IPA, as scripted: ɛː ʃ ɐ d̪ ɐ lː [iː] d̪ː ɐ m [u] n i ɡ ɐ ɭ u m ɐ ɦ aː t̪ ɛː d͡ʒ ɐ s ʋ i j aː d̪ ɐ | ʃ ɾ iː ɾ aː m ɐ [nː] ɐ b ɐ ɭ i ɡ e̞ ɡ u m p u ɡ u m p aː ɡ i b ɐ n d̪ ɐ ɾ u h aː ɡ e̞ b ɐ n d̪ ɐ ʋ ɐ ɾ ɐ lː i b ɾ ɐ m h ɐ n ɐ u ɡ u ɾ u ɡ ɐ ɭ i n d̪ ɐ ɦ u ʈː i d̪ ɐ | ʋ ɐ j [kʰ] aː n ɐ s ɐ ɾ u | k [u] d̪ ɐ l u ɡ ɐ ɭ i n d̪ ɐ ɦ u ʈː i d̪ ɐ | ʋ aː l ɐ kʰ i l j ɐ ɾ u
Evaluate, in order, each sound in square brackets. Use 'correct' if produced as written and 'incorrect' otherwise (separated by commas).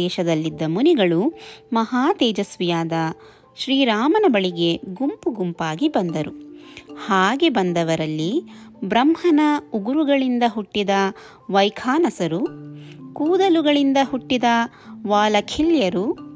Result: incorrect, correct, incorrect, correct, incorrect